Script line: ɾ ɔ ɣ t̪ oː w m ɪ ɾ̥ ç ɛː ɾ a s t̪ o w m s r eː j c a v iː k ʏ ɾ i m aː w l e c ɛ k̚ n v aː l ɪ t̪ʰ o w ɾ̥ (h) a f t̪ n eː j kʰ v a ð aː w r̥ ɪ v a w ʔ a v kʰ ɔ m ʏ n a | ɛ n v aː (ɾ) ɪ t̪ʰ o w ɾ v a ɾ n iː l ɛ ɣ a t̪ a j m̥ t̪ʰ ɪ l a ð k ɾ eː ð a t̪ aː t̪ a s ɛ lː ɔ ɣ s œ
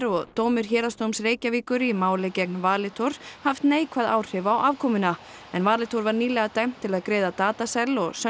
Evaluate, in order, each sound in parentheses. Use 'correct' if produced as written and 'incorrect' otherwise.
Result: correct, incorrect: l

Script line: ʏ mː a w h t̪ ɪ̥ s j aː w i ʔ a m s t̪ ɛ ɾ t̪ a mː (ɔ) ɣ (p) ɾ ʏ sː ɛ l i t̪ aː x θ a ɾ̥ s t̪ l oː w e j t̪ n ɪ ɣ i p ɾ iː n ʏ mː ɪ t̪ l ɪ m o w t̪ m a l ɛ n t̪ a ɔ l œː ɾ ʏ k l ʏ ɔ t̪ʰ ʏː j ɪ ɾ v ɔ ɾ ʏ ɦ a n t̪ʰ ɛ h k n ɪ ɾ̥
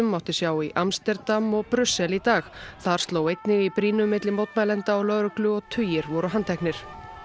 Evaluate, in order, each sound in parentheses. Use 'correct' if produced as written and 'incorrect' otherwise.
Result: correct, correct

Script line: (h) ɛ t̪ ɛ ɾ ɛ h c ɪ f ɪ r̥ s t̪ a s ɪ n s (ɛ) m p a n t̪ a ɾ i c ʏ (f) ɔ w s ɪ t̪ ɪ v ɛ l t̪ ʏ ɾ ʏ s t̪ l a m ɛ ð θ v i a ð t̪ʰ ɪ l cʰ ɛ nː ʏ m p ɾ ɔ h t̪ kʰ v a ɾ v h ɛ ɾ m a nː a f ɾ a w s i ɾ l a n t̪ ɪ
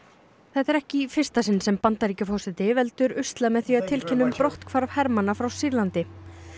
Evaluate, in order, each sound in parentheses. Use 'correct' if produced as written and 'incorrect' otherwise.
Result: incorrect: θ, correct, correct

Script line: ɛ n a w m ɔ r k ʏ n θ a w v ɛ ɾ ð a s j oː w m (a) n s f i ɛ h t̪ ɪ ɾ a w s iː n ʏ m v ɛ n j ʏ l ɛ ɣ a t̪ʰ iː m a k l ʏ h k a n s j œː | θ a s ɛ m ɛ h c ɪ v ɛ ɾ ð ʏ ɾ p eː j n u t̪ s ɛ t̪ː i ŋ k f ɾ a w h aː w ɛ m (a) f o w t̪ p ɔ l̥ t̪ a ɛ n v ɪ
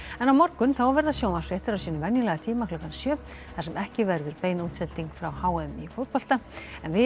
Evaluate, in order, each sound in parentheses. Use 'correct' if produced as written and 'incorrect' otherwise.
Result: correct, incorrect: i

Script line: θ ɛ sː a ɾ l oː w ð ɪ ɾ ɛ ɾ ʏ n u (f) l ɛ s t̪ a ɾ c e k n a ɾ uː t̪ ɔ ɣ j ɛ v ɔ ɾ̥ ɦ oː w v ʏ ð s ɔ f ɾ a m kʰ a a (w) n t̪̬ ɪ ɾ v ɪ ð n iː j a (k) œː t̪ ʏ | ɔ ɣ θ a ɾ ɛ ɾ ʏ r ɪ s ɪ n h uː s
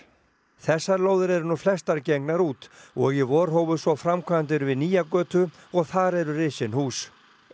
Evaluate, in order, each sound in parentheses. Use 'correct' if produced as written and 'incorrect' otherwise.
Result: correct, incorrect: none, correct

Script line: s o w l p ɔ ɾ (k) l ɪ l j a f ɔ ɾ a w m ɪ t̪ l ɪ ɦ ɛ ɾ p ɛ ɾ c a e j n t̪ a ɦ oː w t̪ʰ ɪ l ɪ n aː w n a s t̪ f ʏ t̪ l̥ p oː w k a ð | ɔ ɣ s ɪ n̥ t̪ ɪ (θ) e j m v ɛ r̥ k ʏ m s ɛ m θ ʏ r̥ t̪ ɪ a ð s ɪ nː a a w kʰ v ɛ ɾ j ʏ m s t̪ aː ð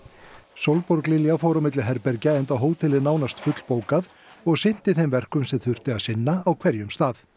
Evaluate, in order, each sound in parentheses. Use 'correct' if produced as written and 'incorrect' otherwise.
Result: correct, correct

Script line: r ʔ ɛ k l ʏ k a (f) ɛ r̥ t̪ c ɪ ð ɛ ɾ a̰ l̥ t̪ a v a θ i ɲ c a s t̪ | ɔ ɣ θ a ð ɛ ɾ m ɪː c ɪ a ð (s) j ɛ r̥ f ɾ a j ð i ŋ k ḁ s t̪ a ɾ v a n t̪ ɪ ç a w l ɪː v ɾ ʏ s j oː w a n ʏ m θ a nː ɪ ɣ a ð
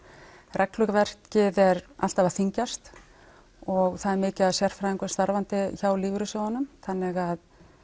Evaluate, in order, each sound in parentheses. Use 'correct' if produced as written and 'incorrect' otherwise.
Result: incorrect: v, correct

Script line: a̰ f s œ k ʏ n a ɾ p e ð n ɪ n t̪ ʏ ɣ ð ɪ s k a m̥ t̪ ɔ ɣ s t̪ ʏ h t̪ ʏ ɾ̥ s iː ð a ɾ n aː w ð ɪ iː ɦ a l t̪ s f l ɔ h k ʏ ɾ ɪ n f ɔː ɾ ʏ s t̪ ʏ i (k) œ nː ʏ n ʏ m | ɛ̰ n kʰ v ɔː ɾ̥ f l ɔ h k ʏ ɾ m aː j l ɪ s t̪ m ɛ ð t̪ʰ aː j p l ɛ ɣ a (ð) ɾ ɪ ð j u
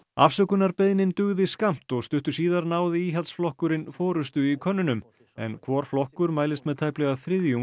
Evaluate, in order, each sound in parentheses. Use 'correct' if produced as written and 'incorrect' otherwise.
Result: incorrect: kʰ, incorrect: θ

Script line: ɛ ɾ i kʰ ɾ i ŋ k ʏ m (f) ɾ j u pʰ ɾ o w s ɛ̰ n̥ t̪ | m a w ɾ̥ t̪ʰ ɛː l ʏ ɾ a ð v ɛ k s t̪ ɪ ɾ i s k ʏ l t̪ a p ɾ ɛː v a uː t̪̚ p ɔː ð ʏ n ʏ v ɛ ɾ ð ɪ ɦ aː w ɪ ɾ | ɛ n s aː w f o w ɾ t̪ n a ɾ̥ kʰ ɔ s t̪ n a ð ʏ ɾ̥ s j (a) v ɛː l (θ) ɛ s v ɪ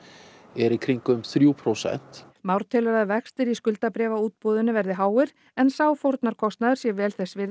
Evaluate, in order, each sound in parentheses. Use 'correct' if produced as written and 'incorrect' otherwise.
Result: incorrect: θ, incorrect: ɛ, correct

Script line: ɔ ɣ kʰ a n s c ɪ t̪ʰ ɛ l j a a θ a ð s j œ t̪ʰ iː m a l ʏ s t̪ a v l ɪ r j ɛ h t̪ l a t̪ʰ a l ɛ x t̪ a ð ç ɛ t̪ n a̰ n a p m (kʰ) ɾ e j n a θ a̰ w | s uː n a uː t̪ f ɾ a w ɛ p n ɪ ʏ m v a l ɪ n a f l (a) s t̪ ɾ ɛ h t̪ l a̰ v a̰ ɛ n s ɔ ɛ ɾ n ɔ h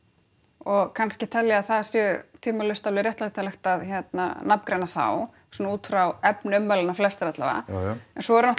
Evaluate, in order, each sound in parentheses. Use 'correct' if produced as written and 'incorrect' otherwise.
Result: incorrect: k, incorrect: ɛ

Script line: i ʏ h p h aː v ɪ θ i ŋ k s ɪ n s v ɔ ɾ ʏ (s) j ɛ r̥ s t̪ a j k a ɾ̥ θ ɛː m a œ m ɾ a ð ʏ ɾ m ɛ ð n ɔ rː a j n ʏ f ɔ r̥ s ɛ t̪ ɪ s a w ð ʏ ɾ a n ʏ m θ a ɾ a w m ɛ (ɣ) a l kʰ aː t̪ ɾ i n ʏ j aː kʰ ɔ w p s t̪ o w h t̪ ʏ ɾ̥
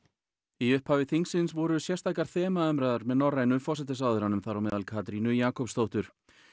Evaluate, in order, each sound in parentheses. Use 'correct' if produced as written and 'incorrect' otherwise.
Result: correct, incorrect: ð

